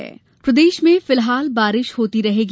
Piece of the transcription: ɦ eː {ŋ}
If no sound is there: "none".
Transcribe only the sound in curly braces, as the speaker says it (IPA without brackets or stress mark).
ɡ